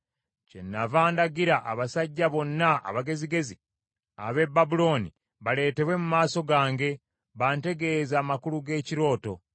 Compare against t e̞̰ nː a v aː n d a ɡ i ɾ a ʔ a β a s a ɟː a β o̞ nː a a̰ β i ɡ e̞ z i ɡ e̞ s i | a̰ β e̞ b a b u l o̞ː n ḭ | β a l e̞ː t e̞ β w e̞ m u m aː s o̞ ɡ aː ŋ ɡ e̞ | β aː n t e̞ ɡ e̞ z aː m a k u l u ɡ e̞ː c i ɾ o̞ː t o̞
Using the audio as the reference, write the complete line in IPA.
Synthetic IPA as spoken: c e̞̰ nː a v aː n d a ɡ i ɾ a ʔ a β a s a ɟː a β o̞ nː a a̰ β a ɡ e̞ z i ɡ e̞ z i | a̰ β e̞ b a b u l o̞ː n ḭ | β a l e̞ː t e̞ β w e̞ m u m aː s o̞ ɡ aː ŋ ɡ e̞ | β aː n t e̞ ɡ e̞ z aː m a k u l u ɡ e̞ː c i ɾ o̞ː t o̞